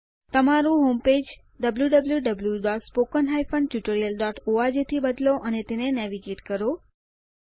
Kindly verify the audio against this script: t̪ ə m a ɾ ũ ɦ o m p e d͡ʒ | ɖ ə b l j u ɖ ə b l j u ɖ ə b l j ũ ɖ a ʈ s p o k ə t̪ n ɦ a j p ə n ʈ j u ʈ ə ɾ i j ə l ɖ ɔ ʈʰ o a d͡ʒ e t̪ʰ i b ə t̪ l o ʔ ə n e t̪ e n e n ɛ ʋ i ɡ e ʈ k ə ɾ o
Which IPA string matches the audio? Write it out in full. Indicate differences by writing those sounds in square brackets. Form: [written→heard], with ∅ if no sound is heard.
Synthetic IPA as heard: t̪ ə m a ɾ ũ ɦ o m p e d͡ʒ | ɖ ə b l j u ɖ ə b l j u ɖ ə b l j [ũ→u] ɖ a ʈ s p o k ə [t̪→∅] n ɦ a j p ə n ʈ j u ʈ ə ɾ i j ə l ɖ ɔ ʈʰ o a d͡ʒ e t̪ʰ i b ə [t̪→d̪] l o ʔ ə n e t̪ e n e n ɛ ʋ i ɡ e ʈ k ə ɾ o